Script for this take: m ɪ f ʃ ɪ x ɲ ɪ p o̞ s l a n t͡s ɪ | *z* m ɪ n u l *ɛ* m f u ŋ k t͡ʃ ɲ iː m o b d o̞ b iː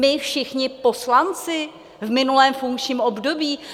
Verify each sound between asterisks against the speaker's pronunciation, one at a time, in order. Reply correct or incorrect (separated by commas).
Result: incorrect, incorrect